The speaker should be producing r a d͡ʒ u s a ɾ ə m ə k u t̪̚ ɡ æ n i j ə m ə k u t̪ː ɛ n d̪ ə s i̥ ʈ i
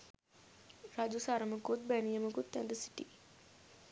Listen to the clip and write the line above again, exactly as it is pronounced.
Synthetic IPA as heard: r a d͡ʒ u s a ɾ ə m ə k u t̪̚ b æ n i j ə m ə k u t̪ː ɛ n d̪ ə s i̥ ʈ i